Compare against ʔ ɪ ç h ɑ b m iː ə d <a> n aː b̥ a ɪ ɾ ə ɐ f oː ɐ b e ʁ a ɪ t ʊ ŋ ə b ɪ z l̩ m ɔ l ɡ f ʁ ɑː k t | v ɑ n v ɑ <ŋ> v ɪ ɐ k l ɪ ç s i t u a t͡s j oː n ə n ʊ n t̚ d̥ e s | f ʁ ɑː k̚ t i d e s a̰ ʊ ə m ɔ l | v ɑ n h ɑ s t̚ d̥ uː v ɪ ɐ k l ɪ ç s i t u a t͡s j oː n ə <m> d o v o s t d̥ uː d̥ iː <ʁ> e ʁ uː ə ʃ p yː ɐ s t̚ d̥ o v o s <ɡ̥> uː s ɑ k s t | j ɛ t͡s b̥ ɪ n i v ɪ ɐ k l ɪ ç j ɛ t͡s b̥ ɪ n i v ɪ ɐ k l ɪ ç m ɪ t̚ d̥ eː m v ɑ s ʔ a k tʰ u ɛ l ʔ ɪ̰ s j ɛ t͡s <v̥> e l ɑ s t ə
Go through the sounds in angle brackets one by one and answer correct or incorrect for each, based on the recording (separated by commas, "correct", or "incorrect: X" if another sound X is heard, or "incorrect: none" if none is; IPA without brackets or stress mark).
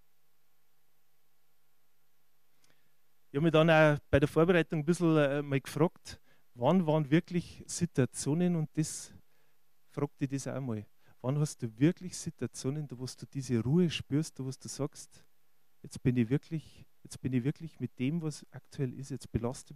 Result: incorrect: ɑ, incorrect: n, incorrect: n, incorrect: z, incorrect: d̥, incorrect: b̥